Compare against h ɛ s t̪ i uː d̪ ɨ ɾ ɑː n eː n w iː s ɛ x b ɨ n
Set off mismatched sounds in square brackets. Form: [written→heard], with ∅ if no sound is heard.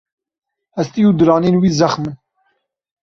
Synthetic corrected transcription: h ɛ s t̪ i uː d̪ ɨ ɾ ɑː n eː n w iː [s→z] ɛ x [b→m] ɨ n